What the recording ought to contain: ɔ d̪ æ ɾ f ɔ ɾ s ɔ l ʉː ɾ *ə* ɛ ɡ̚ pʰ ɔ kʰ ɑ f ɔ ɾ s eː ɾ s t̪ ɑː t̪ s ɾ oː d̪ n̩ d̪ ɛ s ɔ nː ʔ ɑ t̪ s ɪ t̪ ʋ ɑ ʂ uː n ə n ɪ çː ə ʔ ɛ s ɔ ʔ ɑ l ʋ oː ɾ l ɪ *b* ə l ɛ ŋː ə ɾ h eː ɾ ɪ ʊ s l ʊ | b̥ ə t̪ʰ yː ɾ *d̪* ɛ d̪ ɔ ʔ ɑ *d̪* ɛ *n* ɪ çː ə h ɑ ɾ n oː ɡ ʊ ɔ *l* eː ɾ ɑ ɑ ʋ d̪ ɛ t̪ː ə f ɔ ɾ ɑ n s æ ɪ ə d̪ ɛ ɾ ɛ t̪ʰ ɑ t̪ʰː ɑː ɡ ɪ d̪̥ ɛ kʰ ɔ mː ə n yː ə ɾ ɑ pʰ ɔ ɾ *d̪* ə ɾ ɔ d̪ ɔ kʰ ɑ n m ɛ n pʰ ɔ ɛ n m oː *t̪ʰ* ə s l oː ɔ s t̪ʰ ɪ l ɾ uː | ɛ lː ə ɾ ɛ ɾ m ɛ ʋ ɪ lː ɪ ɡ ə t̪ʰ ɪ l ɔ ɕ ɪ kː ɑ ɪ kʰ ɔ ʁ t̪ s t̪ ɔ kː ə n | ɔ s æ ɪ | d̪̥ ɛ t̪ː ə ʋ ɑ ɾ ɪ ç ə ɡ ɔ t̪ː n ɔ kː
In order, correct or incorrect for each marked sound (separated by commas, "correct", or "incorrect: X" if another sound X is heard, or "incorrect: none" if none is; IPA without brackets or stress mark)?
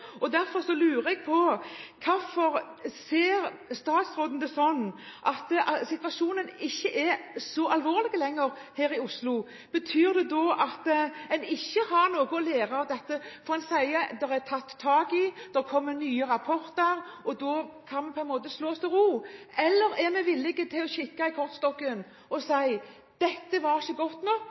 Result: correct, incorrect: ɡ, correct, incorrect: t̪, correct, correct, incorrect: t̪, incorrect: t̪